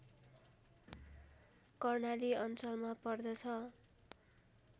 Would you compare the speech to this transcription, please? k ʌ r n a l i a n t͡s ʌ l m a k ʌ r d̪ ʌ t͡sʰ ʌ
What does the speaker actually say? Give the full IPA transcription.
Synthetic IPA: k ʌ r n a l i ʌ n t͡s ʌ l m a p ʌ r d̪ ʌ t͡sʰ ʌ